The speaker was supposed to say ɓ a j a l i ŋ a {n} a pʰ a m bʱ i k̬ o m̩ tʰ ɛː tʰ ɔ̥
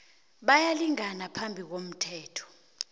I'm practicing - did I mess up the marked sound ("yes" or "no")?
no